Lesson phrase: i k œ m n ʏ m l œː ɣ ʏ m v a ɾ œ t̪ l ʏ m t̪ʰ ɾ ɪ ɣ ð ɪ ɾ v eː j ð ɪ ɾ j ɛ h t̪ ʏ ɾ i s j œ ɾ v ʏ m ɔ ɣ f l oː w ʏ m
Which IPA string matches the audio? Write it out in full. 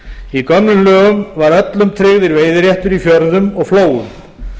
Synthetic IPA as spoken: i k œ m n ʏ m l œː ɣ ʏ m v a ɾ œ t̪ l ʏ m t̪ʰ ɾ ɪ ɣ ð ɪ ɾ v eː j ð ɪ ɾ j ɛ h t̪ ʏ ɾ i f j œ ɾ ð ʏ m ɔ ɣ f l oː w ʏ m